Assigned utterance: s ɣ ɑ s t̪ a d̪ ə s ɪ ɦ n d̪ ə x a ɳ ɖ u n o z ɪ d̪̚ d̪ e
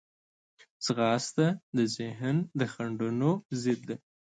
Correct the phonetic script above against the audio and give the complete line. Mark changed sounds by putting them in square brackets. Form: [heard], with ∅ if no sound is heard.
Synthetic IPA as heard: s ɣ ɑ s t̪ a d̪ ə [z] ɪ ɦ n d̪ ə x a ɳ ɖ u n o z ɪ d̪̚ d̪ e